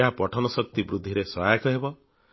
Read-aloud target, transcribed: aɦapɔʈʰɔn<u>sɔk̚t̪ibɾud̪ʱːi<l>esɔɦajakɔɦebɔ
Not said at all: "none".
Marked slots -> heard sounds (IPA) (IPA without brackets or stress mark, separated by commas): ɔ, ɾ